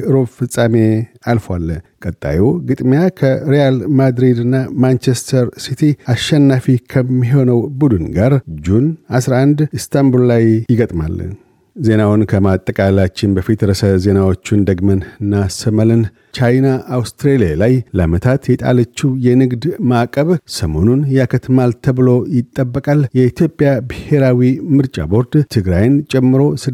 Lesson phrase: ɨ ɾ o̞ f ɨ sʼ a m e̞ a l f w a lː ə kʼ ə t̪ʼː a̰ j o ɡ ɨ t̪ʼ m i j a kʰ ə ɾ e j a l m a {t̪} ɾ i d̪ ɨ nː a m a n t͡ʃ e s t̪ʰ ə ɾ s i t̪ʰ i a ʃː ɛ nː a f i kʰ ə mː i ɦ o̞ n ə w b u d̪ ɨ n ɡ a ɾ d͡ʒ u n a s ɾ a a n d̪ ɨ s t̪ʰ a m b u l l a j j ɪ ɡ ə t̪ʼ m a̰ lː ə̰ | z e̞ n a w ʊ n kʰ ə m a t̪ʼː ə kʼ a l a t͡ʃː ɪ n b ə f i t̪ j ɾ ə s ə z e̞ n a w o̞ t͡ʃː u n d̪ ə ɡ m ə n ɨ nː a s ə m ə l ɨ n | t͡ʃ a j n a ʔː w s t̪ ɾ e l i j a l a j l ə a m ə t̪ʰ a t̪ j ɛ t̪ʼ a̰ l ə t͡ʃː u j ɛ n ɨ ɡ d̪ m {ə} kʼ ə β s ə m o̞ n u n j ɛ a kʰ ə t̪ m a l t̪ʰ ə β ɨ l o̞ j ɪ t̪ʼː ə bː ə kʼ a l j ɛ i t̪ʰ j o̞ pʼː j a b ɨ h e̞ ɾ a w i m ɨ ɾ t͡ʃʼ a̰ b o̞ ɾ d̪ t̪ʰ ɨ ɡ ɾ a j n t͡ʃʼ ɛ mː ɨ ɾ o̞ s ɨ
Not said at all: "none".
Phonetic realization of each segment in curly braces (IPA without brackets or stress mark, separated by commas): d̪, a